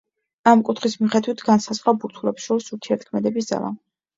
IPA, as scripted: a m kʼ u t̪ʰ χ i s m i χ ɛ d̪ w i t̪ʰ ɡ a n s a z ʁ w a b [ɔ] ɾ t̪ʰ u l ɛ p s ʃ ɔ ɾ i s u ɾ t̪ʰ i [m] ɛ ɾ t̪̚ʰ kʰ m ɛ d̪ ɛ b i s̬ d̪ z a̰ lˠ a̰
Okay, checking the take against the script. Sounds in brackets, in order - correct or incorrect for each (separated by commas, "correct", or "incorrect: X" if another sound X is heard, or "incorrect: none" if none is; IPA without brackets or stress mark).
incorrect: u, incorrect: none